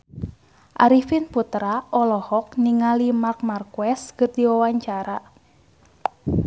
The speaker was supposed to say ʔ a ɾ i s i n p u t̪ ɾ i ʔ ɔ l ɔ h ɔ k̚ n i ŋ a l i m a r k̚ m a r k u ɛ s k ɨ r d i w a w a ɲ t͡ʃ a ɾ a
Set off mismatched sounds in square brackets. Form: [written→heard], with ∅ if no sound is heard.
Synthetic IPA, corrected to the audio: ʔ a ɾ i [s→f] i n p u t̪ ɾ [i→a] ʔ ɔ l ɔ h ɔ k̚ n i ŋ a l i m a r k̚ m a r k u ɛ s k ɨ r d i w a w a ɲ t͡ʃ a ɾ a